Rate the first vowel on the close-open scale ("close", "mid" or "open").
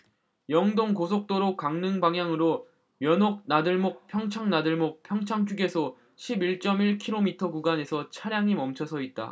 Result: mid